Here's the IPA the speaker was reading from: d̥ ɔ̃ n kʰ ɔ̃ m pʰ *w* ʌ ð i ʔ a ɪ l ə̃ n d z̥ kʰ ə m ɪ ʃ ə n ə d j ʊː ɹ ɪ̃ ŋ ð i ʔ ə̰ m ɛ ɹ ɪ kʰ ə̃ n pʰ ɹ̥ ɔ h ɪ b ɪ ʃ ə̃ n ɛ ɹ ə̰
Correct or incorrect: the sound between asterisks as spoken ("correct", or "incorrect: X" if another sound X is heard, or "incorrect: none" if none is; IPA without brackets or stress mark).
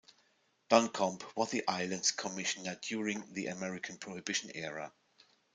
correct